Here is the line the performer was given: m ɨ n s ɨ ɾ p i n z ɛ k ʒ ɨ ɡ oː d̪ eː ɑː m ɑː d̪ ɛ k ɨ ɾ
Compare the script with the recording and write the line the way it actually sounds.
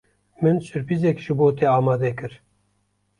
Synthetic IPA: m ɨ n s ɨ ɾ p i z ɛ k ʒ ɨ b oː t̪ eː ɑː m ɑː d̪ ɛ k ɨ ɾ